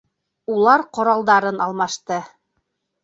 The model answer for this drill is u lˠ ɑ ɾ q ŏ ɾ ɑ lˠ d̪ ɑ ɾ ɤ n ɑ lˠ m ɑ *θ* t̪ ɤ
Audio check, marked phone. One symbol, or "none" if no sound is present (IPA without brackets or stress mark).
ʃ